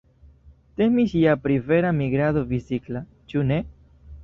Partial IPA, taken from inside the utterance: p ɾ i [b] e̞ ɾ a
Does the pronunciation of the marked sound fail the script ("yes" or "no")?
yes